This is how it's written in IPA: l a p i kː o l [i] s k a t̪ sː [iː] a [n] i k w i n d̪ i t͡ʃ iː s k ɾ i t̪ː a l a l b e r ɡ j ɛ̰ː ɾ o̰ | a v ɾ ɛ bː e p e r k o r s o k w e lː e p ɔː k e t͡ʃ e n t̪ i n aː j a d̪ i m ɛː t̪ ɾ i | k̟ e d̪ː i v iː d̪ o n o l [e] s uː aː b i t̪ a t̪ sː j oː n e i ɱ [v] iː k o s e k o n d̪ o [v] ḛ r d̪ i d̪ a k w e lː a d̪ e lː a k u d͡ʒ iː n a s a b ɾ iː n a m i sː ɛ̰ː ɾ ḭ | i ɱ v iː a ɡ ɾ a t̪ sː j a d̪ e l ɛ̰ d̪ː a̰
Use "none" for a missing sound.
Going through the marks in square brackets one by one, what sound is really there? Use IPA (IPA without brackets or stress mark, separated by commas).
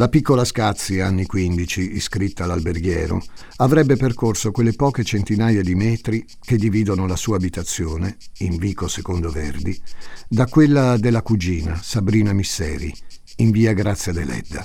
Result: a, i, nː, a, v, v